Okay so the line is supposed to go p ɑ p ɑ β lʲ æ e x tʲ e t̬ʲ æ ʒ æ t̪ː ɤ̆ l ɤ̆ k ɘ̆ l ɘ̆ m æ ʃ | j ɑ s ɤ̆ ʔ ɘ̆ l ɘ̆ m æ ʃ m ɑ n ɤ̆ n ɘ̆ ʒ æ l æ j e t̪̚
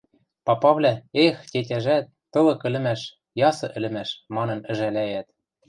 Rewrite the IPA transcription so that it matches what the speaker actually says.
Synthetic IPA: p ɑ p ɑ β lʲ æ e x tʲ e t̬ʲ æ ʒ æ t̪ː ɤ̆ l ɤ̆ k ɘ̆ l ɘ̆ m æ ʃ | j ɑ s ɤ̆ ʔ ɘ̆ l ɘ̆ m æ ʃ m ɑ n ɤ̆ n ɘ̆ ʒ æ l æ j æ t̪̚